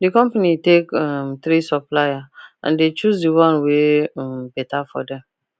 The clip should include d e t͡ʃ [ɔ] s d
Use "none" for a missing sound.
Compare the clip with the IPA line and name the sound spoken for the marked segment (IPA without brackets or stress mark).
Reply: u